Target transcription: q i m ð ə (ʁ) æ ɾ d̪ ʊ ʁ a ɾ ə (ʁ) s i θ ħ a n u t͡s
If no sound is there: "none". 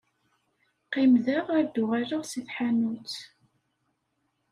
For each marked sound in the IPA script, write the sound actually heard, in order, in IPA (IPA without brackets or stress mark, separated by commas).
ʁ, ʁ